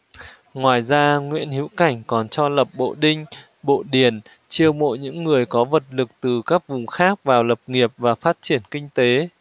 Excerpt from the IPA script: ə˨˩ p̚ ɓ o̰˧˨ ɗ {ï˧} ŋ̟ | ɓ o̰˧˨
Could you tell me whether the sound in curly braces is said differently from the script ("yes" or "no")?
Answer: no